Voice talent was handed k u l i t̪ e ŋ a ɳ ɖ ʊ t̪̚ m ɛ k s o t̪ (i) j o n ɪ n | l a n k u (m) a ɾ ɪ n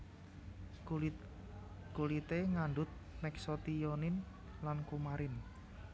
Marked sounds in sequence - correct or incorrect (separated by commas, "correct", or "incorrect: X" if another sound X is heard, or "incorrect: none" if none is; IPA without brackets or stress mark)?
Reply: correct, correct